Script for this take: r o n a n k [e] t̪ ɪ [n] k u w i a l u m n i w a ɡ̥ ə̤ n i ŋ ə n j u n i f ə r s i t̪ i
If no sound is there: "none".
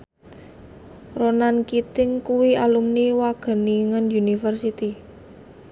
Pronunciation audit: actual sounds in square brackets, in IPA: i, ŋ

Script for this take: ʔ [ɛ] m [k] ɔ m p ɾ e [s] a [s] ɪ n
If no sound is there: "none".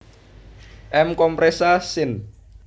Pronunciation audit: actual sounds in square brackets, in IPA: ɛ, k, s, s

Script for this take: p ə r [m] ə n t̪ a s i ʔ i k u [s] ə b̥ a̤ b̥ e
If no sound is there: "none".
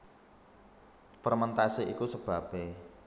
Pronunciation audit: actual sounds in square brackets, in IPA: m, s

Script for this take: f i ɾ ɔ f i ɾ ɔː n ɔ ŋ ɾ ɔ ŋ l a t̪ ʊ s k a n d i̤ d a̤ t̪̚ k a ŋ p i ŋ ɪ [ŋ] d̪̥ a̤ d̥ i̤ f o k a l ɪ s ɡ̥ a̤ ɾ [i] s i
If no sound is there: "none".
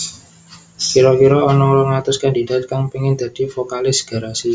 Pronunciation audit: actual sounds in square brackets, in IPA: n, a

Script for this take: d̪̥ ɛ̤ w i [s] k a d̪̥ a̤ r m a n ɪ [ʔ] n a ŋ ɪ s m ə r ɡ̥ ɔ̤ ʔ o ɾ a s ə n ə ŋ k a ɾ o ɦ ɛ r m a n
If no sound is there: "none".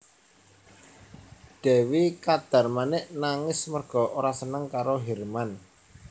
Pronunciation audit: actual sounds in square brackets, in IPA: none, ʔ

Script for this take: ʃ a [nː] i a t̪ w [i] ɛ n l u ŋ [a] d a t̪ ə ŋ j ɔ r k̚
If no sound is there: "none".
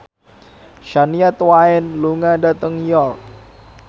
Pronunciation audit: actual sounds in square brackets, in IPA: n, a, a

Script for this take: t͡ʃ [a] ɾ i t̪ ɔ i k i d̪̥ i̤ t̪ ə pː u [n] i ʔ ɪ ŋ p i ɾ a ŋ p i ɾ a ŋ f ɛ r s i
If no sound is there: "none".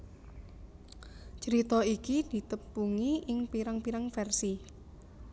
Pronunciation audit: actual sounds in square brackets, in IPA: ə, ŋ

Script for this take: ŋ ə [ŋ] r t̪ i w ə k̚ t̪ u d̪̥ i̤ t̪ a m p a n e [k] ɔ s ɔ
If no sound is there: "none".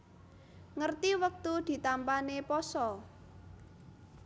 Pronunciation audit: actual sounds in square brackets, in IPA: none, p

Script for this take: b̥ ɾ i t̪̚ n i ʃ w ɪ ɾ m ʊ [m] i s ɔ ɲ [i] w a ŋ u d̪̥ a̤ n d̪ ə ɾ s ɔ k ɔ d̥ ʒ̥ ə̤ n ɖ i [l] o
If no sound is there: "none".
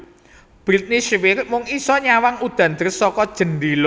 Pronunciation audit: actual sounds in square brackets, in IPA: ŋ, a, l

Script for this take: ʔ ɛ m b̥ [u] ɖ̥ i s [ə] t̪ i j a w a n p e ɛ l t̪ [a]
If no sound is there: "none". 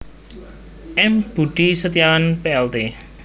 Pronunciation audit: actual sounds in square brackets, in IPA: u, ə, e

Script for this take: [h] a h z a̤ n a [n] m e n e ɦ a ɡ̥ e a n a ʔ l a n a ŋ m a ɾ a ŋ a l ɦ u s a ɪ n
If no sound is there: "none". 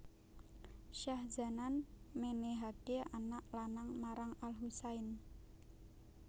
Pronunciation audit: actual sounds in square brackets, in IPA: ʃ, n

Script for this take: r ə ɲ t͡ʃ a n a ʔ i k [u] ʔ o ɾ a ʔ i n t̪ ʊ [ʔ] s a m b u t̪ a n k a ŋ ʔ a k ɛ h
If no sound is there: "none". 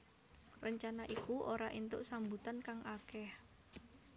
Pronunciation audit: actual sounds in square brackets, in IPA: u, ʔ

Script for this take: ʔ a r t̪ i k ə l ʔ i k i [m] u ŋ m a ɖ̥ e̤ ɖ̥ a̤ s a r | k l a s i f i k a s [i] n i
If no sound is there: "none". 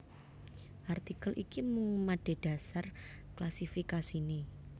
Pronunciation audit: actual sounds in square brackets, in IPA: m, i

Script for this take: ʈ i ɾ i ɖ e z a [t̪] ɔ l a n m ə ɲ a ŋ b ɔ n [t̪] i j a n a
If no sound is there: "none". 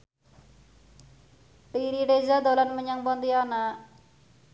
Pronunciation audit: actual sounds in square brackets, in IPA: d̪, d̪

